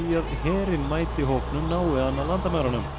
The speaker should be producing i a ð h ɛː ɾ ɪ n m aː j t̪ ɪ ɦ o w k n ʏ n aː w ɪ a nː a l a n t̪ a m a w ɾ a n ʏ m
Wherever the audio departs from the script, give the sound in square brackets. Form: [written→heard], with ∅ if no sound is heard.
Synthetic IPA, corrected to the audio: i a ð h ɛː ɾ ɪ n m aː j t̪ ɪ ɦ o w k n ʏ n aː w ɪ a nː a l a n t̪ a m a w ɾ a n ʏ m